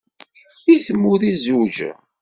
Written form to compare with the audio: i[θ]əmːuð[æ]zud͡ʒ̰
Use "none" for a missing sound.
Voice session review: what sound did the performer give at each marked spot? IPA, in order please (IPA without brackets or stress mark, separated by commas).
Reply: θ, i